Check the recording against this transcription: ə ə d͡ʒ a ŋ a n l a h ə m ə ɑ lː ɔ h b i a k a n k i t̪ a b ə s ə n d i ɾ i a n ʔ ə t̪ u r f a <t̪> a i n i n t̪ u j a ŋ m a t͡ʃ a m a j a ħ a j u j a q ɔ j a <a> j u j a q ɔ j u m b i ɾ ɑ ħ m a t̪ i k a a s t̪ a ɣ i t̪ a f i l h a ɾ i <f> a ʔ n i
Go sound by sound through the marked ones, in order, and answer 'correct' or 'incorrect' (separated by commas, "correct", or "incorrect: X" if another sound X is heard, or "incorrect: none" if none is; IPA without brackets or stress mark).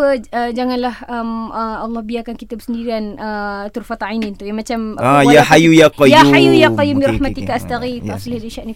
correct, correct, incorrect: ʃ